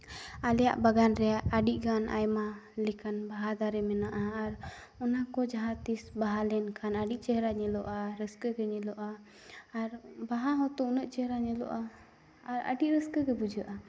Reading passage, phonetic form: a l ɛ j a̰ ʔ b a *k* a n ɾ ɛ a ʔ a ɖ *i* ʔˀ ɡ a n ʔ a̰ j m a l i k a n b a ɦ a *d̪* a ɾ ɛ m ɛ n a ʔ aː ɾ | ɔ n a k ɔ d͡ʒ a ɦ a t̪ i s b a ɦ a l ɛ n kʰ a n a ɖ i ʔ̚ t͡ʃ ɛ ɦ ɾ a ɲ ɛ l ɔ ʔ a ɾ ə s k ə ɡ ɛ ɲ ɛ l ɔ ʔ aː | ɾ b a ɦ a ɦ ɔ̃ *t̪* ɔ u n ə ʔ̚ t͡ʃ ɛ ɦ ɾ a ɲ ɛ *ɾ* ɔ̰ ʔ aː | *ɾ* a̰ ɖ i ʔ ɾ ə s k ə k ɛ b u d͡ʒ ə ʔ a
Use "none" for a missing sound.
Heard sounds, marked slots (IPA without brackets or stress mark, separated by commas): ɡ, i, d̪, t̪, l, ɾ